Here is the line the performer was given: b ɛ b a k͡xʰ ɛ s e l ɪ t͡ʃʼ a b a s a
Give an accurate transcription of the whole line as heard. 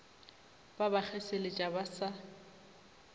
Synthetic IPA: b a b a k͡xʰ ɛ s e l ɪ t͡ʃʼ a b a s a